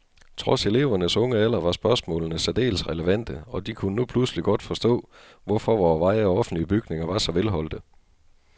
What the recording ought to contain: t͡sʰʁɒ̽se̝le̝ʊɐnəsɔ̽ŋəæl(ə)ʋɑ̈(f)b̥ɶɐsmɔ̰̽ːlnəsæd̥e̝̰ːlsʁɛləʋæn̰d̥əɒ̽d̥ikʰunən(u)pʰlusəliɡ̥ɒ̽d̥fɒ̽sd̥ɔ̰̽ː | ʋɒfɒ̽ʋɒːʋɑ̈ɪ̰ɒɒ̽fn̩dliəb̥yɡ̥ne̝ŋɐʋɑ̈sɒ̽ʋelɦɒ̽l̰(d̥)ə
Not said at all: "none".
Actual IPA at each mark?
ɐ, s, u, d̥

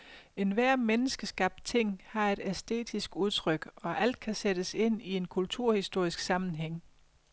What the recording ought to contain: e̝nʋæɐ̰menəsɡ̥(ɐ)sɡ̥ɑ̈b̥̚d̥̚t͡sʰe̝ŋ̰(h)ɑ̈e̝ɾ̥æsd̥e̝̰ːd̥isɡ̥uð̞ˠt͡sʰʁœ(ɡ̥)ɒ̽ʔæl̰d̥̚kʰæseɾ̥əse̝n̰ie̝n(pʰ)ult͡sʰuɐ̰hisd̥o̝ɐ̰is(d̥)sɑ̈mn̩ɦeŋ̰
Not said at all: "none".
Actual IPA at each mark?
ə, h, ɡ̥, kʰ, ɡ̥

